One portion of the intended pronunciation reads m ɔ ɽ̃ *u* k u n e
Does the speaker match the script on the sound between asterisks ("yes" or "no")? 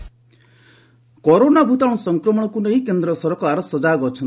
no